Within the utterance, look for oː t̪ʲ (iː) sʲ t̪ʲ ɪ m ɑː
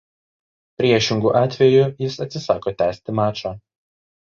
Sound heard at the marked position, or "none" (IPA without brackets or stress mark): æː